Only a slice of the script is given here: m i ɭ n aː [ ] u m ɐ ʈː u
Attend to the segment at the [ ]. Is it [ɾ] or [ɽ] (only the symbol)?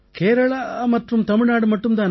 ɽ